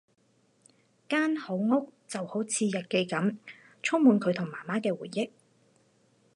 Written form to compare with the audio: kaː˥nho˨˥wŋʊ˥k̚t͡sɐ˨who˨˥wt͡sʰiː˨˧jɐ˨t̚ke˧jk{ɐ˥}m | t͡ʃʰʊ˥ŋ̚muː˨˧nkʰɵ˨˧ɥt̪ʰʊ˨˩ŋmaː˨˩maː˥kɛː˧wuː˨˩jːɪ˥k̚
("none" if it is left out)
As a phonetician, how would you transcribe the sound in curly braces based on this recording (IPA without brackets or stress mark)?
ɐ˨˥